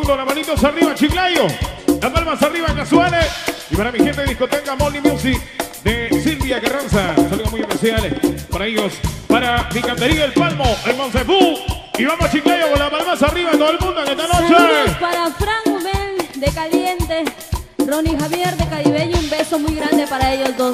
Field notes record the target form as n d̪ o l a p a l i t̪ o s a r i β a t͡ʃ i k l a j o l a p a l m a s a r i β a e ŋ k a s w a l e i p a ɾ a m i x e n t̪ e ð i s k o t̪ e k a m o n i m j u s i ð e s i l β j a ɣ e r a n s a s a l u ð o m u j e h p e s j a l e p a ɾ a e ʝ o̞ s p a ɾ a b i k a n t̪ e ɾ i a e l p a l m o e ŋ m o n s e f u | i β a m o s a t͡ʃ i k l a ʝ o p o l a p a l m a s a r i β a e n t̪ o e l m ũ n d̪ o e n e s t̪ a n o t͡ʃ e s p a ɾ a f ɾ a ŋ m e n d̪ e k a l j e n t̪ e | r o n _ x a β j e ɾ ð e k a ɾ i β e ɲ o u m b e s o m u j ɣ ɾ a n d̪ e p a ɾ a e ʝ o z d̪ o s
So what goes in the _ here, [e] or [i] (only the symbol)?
i